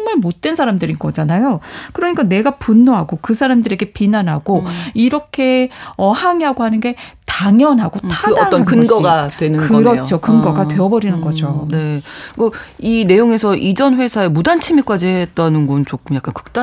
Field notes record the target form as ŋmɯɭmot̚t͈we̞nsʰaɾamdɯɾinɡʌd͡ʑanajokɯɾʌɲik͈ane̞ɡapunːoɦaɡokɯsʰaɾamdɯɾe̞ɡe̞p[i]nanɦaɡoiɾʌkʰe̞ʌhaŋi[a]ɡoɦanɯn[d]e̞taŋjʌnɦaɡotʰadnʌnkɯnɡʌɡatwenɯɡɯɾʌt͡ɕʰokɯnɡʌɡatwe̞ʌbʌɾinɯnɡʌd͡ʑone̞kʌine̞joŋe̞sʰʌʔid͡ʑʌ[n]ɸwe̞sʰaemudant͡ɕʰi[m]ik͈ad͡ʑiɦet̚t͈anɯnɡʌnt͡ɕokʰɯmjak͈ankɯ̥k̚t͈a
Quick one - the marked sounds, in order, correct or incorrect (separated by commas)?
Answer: correct, correct, incorrect, correct, correct